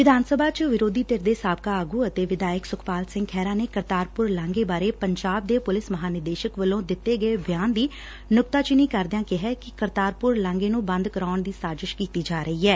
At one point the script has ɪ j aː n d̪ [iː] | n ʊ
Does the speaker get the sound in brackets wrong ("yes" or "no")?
no